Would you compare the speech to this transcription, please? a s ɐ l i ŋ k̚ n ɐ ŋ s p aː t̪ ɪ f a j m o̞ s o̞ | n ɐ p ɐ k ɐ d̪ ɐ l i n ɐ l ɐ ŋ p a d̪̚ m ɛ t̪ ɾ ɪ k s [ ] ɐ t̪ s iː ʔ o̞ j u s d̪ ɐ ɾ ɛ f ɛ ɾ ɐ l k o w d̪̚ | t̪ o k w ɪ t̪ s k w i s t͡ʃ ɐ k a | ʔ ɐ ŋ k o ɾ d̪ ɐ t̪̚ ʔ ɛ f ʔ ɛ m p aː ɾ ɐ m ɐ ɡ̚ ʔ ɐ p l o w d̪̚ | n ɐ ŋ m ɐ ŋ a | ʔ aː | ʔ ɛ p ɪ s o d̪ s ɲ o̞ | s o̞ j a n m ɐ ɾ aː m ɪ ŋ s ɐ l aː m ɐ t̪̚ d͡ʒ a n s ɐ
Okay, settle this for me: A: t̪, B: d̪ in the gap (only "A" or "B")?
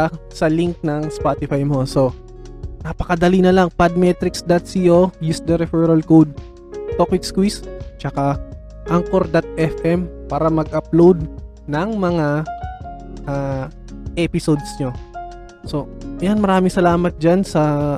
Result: B